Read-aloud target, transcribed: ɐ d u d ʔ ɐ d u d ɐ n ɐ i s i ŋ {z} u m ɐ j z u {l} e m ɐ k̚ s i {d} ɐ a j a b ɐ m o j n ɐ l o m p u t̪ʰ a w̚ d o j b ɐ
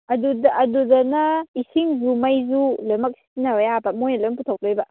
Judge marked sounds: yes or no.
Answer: yes, yes, no

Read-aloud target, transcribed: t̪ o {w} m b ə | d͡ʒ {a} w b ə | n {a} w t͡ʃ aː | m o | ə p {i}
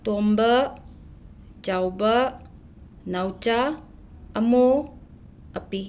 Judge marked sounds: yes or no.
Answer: no, yes, yes, yes

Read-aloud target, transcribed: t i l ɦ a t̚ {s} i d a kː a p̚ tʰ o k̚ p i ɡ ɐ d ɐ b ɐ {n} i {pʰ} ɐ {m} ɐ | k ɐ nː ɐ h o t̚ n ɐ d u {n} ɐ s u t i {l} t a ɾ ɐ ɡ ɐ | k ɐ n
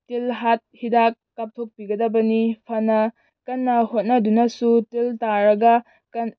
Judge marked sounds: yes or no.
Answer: no, yes, yes, no, yes, yes

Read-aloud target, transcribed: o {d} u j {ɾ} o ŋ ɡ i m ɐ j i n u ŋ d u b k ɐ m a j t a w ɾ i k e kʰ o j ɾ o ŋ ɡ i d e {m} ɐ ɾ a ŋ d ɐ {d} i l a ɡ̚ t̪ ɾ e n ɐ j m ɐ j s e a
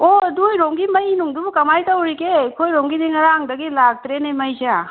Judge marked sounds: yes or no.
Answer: yes, yes, no, no

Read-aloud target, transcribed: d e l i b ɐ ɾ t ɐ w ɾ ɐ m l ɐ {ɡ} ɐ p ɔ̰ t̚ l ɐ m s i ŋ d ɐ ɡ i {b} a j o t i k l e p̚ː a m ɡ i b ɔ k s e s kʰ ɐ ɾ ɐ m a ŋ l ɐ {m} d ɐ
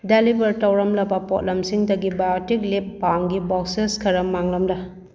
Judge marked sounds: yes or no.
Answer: no, yes, yes

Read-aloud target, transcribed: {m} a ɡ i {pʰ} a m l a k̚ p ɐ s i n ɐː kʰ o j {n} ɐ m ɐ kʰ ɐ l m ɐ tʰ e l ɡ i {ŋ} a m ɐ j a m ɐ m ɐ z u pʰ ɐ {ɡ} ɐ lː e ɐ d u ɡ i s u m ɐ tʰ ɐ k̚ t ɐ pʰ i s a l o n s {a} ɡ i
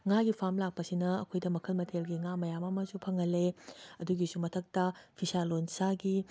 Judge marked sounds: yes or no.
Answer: no, yes, no, yes, no, yes

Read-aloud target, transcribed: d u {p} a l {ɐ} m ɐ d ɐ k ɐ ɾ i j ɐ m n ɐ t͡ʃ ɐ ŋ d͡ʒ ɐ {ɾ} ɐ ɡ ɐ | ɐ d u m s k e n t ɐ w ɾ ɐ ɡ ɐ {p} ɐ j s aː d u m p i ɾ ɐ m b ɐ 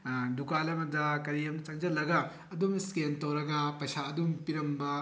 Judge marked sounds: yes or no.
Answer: no, yes, no, yes

